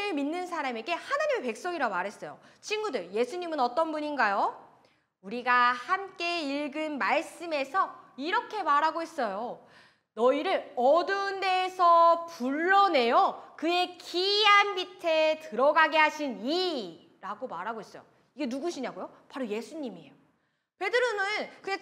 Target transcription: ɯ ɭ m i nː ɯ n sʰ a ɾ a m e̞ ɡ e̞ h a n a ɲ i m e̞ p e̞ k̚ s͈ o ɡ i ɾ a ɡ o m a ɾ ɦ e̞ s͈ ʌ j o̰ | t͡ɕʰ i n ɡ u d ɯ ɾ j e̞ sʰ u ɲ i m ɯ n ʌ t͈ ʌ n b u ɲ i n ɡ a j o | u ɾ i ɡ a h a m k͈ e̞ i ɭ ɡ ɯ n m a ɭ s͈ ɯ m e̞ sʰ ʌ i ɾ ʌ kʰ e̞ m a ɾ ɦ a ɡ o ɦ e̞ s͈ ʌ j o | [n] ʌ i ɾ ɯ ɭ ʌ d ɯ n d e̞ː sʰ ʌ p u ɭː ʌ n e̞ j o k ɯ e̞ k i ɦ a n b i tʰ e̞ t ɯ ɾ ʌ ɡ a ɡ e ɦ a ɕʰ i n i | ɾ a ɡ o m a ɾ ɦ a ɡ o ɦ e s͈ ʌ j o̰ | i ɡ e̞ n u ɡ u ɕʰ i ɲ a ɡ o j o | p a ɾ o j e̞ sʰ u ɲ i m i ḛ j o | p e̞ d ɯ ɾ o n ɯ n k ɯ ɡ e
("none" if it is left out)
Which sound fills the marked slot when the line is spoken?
n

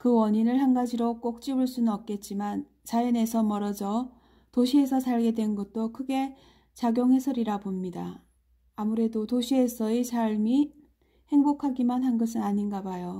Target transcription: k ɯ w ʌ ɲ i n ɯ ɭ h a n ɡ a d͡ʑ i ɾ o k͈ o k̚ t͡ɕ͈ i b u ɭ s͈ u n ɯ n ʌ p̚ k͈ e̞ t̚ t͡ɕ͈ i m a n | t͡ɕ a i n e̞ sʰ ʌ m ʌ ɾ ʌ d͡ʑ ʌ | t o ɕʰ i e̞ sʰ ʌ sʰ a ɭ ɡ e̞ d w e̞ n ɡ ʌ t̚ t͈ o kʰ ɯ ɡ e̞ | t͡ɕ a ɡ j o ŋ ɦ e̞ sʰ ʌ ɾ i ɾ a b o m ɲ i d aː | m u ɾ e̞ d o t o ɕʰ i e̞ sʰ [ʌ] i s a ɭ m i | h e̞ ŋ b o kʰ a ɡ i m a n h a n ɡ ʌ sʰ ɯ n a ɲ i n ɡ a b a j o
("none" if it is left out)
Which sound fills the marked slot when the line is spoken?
ʌ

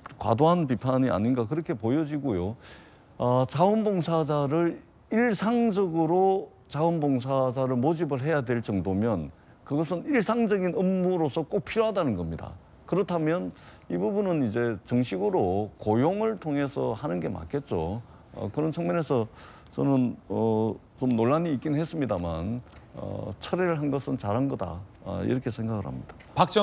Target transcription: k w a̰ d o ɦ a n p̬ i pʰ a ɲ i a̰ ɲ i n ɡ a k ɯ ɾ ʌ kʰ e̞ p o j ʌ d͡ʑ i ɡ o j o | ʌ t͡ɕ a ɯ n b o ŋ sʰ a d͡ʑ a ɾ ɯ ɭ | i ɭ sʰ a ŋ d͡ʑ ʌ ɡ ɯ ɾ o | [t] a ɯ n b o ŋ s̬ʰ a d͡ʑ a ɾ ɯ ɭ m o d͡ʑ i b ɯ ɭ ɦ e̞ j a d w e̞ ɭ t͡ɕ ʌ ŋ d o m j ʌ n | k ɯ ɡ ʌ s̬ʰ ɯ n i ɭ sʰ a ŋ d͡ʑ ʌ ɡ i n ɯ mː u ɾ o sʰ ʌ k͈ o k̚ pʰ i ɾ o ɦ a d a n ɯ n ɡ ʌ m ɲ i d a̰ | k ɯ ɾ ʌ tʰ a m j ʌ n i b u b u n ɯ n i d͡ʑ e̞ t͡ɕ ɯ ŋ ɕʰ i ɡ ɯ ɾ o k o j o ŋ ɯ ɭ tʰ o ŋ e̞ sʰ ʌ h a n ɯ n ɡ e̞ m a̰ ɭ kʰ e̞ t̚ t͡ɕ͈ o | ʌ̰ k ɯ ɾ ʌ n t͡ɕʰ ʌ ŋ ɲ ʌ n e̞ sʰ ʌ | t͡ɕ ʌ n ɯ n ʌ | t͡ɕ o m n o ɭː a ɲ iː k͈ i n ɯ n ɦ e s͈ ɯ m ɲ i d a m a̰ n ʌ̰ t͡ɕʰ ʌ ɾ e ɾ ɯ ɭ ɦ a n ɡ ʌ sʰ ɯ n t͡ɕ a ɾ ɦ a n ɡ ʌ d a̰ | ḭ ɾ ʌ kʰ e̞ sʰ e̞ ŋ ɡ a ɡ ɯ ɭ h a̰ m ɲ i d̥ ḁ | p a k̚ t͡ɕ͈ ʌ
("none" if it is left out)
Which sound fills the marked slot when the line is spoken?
t͡ɕ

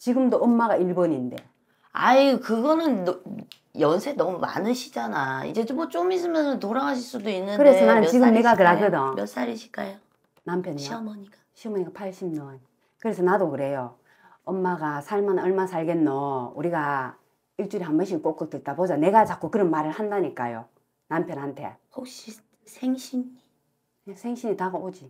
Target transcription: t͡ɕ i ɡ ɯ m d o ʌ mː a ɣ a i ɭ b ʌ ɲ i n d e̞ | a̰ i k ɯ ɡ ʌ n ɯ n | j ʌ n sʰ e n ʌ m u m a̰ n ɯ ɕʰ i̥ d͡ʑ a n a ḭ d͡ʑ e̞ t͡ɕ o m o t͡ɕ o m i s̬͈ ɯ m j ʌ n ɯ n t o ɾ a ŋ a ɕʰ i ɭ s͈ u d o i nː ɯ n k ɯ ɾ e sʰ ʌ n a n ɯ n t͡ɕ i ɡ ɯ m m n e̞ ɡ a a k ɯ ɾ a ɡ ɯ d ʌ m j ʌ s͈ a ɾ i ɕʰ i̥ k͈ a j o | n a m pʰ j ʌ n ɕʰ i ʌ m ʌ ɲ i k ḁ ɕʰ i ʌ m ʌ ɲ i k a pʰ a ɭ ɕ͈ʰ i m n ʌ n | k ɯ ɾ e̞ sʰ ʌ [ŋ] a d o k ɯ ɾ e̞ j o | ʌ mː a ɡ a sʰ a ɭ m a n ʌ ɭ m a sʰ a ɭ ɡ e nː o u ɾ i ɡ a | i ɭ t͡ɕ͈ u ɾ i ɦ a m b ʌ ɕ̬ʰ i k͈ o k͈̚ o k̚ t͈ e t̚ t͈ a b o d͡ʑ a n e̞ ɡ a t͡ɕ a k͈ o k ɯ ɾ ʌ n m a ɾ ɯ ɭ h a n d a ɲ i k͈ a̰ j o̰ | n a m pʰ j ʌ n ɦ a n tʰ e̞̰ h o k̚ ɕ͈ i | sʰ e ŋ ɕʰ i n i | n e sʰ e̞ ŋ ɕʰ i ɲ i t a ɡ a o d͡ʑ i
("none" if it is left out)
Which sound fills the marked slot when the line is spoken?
n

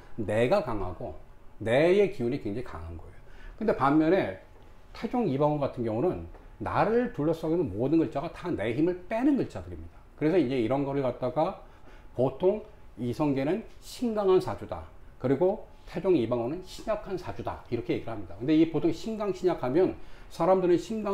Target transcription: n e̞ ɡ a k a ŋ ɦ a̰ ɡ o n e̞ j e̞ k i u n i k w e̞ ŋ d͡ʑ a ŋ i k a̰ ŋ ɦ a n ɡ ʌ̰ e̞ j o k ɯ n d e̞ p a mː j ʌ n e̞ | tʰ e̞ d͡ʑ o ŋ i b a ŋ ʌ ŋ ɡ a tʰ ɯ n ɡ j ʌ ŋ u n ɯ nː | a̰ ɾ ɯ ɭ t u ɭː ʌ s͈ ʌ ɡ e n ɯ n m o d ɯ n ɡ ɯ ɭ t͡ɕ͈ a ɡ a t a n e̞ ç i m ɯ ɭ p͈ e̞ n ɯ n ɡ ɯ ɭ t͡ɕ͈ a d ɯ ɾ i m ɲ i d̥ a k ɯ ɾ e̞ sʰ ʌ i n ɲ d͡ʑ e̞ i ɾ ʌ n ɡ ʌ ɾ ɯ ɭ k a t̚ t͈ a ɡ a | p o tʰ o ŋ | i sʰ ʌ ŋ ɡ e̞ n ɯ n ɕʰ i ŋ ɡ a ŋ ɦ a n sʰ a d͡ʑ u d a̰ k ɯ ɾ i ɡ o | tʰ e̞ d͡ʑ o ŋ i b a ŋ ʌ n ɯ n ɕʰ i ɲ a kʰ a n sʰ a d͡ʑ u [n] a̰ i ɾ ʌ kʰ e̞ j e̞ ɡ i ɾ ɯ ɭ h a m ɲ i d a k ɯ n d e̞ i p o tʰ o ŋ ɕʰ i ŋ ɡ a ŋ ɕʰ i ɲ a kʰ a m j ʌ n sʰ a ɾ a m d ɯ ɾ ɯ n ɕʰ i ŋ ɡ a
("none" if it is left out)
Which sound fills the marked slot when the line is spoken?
d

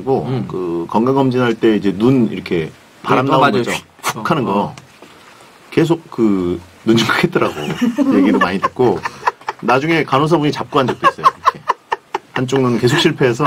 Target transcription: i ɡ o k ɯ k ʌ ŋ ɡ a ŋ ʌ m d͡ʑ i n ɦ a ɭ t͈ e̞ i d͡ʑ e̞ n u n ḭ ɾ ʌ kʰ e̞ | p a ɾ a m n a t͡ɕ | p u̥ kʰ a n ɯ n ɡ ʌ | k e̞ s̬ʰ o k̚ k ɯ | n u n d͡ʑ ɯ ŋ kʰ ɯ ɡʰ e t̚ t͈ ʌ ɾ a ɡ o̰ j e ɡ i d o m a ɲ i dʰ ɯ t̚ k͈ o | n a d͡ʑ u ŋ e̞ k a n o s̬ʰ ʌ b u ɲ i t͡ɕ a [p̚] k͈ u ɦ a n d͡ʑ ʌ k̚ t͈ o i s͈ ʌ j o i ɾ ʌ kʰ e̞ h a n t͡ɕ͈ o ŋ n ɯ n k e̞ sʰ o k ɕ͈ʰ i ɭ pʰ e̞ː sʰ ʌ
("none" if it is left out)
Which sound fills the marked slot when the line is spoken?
p̚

